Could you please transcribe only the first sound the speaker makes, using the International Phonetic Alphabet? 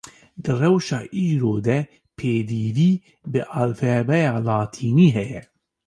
d̪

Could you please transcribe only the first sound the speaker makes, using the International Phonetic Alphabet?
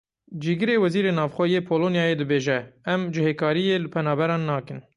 d͡ʒ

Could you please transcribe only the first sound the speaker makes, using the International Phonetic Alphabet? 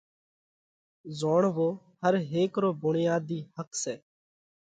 z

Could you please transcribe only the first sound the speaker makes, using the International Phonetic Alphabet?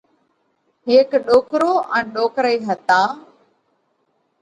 ɦ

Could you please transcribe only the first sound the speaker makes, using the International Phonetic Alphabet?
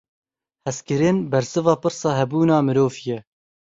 h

